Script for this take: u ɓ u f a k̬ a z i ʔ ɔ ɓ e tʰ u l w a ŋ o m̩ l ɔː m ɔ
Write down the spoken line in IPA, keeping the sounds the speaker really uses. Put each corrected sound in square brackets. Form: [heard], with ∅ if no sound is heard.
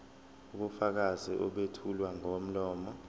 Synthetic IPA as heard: u ɓ u f a k̬ a z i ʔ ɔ ɓ e tʰ u l w a ŋ o m̩ l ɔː m ɔ